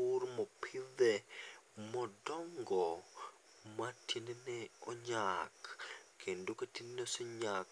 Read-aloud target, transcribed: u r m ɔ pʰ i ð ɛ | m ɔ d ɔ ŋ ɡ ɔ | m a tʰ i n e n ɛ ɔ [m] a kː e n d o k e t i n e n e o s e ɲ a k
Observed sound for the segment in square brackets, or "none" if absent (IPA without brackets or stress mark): ɲ